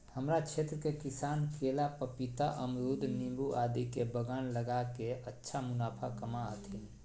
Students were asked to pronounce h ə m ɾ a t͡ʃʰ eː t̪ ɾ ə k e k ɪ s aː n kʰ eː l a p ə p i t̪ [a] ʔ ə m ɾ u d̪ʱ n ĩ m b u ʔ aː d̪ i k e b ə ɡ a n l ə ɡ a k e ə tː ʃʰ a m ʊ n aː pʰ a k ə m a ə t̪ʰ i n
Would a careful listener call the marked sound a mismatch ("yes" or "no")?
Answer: no